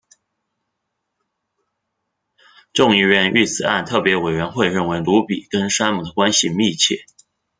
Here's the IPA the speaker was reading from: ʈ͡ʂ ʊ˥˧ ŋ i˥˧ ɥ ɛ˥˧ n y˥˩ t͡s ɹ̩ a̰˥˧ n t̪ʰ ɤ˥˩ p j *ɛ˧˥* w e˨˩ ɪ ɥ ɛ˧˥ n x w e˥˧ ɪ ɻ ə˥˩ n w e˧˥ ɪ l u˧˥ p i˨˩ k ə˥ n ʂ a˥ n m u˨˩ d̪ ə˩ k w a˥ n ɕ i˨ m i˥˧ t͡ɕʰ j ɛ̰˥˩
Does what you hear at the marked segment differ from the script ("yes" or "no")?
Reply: no